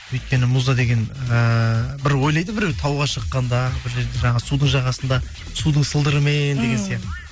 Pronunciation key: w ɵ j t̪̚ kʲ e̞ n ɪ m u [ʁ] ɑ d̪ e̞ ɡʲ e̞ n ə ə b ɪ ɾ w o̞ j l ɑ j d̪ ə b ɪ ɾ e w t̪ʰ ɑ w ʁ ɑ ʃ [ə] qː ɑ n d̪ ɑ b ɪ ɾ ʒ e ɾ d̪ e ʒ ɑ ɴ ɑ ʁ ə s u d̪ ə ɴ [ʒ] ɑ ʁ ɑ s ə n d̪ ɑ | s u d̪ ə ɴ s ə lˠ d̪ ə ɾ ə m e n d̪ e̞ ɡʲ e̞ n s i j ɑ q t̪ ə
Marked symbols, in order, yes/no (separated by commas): no, yes, yes